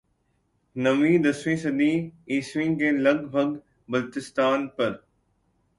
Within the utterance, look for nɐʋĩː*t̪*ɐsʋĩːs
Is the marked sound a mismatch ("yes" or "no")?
yes